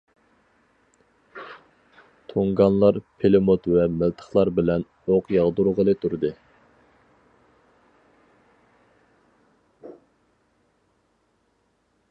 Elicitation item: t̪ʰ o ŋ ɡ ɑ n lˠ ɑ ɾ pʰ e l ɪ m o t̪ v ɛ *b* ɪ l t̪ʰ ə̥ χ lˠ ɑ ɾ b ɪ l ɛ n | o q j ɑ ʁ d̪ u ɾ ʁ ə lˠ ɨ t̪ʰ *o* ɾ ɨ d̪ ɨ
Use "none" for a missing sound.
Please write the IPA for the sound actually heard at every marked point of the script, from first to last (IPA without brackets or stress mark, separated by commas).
m, u